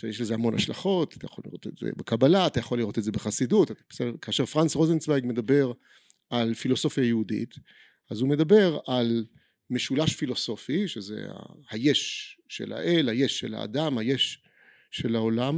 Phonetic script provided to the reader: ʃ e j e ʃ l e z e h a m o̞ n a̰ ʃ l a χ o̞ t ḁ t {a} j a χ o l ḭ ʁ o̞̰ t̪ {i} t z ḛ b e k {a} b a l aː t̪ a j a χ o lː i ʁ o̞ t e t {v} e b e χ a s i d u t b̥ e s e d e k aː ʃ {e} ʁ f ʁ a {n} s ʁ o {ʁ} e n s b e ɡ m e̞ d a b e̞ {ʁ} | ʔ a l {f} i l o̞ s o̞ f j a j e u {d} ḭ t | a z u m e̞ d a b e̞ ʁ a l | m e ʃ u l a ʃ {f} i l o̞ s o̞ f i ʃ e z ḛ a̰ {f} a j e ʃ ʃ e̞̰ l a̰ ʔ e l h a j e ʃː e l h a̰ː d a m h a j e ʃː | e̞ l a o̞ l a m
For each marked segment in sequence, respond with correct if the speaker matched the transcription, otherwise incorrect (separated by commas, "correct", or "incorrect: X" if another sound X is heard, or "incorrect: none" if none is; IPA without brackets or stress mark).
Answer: correct, incorrect: e, correct, incorrect: z, correct, correct, incorrect: z, correct, correct, correct, correct, incorrect: h